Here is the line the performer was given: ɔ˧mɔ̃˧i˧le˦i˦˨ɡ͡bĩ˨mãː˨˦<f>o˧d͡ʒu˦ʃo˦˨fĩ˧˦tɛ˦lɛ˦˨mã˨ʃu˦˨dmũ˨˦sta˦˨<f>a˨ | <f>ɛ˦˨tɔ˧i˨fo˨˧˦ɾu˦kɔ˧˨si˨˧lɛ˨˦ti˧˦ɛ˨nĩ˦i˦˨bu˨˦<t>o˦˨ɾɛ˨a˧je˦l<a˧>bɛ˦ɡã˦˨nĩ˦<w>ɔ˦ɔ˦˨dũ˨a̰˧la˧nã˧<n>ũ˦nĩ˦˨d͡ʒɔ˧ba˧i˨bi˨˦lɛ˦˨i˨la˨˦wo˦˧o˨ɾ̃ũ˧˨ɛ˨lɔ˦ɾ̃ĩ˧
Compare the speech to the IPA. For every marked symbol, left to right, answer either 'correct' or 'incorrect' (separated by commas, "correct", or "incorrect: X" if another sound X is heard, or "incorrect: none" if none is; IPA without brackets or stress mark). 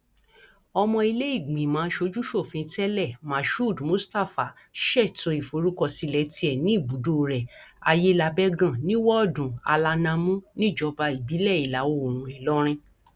incorrect: ʃ, correct, incorrect: ʃ, incorrect: d, correct, correct, incorrect: m